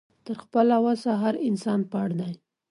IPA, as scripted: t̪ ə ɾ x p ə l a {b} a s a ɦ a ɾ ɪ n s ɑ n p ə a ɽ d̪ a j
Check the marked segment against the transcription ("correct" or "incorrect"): incorrect